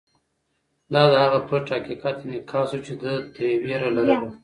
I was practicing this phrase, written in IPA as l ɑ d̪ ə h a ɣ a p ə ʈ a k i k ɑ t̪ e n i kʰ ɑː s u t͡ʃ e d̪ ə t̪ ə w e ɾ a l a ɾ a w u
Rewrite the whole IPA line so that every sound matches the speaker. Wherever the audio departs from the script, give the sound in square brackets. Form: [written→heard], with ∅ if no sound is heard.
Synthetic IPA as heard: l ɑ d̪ ə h a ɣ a p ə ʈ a k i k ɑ t̪ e n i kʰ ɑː s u t͡ʃ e d̪ ə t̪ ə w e ɾ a l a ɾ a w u

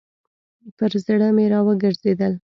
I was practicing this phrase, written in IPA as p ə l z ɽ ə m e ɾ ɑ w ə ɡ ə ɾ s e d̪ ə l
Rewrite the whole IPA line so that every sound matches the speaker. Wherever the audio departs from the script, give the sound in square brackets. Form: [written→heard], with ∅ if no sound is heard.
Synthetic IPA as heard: p ə [l→ɾ] z ɽ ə m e ɾ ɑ w ə ɡ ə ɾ [s→z] e d̪ ə l

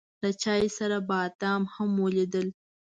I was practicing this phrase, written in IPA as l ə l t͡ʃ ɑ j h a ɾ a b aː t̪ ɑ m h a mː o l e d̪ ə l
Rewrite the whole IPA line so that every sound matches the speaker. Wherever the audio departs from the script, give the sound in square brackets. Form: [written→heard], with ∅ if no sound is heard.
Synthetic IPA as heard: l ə [l→∅] t͡ʃ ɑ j [h→s] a ɾ a b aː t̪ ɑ m h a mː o l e d̪ ə l

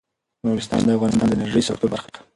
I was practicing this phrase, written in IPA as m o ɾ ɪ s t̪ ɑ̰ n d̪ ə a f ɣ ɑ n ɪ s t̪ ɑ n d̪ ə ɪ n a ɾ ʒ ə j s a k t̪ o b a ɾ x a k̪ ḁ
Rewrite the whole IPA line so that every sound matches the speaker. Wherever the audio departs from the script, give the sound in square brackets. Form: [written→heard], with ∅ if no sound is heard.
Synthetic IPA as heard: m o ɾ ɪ s t̪ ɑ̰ n d̪ ə a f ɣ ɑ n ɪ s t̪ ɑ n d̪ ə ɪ n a ɾ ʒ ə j s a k t̪ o b a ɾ x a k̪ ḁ

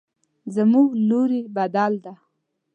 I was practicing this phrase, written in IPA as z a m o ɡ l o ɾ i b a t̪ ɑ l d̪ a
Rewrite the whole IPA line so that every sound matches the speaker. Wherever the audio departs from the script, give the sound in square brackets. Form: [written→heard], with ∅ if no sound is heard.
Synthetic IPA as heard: z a m [o→u] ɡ l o ɾ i b a [t̪→d̪] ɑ l d̪ a

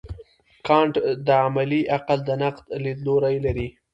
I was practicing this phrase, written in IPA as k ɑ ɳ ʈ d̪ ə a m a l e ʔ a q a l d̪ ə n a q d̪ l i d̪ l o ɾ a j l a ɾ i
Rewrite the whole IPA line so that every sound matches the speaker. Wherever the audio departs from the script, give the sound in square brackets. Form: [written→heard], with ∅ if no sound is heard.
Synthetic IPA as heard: k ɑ ɳ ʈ d̪ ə a m a l [e→i] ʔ a q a l d̪ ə n a q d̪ l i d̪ l o ɾ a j l a ɾ i

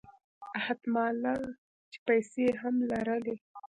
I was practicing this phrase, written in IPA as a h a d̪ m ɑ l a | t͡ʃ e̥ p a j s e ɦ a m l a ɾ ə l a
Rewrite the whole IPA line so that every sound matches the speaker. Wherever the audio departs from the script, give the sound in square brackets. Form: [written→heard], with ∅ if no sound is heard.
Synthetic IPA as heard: a h a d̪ m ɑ l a | t͡ʃ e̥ p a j s e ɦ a m l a ɾ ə l [a→e]

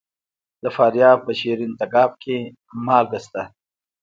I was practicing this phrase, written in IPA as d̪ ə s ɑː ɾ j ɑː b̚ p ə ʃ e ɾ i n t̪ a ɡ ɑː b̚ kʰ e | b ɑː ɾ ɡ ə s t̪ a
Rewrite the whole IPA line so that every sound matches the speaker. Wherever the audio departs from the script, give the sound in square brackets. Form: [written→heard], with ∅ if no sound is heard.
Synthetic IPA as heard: d̪ ə [s→f] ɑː ɾ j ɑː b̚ p ə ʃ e ɾ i n t̪ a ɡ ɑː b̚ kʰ e | [b→m] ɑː [ɾ→l] ɡ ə s t̪ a

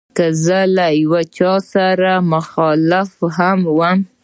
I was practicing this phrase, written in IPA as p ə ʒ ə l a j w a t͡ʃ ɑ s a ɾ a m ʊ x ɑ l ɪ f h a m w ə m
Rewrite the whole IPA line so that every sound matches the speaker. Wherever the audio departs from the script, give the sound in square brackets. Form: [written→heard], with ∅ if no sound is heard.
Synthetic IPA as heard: [p→k] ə [ʒ→z] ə l a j w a t͡ʃ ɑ s a ɾ a m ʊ x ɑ l ɪ f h a m w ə m

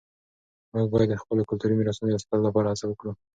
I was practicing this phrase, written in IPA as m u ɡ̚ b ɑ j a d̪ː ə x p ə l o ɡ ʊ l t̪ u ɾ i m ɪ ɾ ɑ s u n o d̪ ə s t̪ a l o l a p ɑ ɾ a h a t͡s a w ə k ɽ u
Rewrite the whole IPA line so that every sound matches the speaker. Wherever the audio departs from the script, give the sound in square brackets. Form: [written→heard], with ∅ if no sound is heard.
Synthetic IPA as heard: m u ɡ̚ b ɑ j a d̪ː ə x p ə l o [ɡ→k] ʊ l t̪ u ɾ i m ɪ ɾ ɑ s u n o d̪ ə s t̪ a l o l a p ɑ ɾ a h a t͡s a w ə k ɽ u

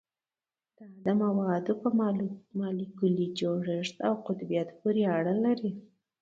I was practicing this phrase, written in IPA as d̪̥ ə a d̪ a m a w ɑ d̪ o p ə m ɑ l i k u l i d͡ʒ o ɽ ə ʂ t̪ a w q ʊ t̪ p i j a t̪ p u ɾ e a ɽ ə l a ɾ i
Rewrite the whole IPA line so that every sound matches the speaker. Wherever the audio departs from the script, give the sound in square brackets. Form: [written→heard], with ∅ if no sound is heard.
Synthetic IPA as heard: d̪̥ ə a d̪ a m a w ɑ d̪ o p ə m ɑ l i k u l i d͡ʒ o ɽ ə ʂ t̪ a w q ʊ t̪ [p→b] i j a t̪ p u ɾ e a ɽ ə l a ɾ i

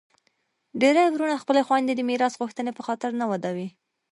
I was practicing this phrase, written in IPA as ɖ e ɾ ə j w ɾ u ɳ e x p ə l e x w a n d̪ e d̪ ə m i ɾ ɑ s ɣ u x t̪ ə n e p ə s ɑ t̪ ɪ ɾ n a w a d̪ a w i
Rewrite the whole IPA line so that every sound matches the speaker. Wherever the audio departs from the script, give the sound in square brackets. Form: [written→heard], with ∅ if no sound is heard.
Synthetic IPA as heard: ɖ e ɾ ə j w ɾ u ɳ [e→a] x p ə l e x w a n d̪ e d̪ ə m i ɾ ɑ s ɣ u x t̪ ə n e p ə [s→x] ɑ t̪ ɪ ɾ n a w a d̪ a w i

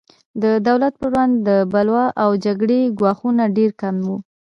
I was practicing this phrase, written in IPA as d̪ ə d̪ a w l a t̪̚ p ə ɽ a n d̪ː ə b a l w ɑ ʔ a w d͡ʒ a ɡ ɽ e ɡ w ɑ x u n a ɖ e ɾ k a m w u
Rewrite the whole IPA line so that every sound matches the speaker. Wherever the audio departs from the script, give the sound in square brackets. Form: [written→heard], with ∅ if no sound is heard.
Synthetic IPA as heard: d̪ ə d̪ a w l a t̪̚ p ə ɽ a n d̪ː ə b a l w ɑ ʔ a w d͡ʒ a ɡ ɽ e ɡ w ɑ x u n a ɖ e ɾ k a m w u

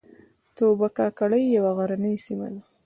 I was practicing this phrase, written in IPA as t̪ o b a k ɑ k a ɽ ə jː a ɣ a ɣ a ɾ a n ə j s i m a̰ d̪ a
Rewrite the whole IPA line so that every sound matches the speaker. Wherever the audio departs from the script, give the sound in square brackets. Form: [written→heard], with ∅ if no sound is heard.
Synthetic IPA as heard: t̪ o b a k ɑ k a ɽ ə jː a [ɣ→w] a ɣ a ɾ a n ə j s i m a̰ d̪ a

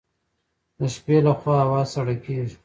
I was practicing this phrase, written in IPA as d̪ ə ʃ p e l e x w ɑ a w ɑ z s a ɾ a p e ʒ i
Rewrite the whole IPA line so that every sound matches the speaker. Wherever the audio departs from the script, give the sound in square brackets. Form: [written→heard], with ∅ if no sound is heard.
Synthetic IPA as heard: d̪ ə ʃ p e l [e→a] x w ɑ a w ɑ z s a [ɾ→ɽ] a [p→k] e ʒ i

